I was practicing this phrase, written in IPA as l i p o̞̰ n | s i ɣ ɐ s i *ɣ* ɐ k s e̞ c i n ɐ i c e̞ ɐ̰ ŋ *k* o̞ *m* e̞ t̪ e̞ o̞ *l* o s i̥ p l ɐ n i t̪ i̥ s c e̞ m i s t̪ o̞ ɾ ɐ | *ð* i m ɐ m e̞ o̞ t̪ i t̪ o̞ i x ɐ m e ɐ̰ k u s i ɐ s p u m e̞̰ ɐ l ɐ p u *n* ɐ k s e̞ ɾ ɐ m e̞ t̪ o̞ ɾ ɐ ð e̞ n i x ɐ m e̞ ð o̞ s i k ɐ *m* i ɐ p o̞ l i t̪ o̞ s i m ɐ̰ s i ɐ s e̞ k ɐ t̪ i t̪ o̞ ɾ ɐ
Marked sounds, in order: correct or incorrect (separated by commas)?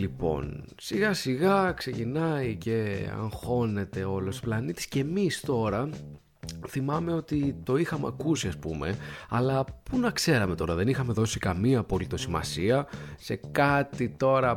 correct, incorrect, incorrect, correct, incorrect, correct, correct